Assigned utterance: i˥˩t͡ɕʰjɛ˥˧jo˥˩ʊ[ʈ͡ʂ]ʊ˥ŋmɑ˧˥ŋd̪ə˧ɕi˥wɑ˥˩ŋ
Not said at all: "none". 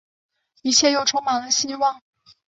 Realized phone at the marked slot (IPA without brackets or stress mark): ʈ͡ʂʰ